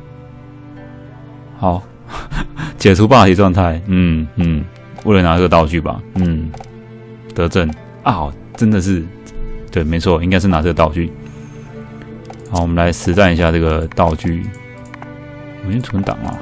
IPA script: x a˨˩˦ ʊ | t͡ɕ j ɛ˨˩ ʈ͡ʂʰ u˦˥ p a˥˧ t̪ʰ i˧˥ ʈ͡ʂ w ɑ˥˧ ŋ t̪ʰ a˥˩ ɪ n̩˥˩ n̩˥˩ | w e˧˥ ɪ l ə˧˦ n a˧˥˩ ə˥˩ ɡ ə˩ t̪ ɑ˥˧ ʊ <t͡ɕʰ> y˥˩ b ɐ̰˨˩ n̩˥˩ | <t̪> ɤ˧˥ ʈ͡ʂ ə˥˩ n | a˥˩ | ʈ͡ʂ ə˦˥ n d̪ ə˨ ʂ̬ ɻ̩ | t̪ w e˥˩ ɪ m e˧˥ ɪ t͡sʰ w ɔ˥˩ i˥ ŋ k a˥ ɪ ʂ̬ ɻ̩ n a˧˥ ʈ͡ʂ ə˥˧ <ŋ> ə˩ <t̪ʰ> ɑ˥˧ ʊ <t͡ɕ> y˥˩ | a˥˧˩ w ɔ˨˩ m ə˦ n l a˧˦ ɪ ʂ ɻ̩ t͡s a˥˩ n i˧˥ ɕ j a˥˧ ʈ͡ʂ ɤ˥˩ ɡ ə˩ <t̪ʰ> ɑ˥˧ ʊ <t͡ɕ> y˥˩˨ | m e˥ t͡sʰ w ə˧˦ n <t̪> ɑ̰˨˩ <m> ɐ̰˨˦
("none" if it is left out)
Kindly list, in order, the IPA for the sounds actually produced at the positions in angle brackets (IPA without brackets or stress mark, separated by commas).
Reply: t͡ɕ, t̪, ɡ, t̪, t͡ɕ, t̪, t͡ɕ, t̪, ŋ